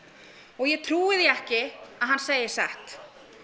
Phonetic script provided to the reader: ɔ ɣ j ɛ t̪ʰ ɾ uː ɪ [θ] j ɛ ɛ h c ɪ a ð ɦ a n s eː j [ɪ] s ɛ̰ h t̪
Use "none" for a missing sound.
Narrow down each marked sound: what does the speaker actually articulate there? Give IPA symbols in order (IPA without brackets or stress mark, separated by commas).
ð, ɪ